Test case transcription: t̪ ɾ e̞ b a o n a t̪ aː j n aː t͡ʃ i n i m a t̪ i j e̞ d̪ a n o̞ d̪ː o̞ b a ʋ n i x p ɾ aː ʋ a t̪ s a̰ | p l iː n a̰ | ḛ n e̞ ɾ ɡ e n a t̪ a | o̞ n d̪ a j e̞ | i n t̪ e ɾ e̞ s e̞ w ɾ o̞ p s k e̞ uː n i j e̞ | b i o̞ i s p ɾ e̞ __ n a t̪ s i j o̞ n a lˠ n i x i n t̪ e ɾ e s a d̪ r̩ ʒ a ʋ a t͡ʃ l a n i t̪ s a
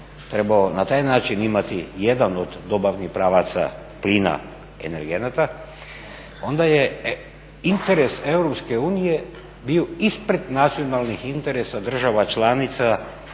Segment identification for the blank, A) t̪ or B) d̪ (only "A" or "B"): B